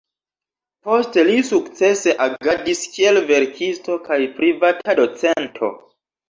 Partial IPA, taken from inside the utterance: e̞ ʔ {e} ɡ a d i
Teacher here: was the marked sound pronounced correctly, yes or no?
no